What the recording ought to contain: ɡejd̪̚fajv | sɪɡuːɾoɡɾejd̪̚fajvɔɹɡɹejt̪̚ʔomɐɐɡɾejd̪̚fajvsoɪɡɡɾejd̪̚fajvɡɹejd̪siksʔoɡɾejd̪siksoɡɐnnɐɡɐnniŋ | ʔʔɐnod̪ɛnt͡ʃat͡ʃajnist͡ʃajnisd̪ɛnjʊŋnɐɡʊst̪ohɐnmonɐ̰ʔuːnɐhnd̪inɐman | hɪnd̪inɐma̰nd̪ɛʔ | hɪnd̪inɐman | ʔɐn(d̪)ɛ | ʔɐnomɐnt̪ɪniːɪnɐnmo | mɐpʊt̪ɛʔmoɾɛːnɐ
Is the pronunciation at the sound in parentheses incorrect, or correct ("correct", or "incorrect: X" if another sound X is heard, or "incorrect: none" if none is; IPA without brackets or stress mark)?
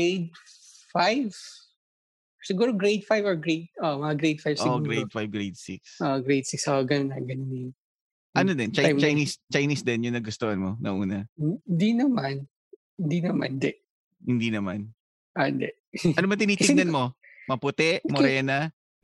correct